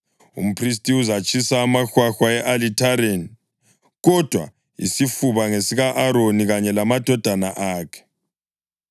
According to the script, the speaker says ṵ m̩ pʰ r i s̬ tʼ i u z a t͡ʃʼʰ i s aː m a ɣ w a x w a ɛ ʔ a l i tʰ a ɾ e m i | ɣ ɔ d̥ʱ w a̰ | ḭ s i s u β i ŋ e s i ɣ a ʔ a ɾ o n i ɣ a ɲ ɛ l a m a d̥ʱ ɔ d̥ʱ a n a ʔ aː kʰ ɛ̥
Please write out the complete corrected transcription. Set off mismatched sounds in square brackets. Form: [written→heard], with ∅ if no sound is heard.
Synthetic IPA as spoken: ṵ m̩ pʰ r i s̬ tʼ i u z a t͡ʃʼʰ i s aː m a [ɣ→x] w a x w a ɛ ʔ a l i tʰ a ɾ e [m→n] i | ɣ ɔ d̥ʱ w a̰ | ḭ s i [s→f] u β [i→a] ŋ e s i ɣ a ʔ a ɾ o n i ɣ a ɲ ɛ l a m a d̥ʱ ɔ d̥ʱ a n a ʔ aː kʰ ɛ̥